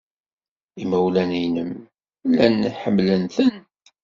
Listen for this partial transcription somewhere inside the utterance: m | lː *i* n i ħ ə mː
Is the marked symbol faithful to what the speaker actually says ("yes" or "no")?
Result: no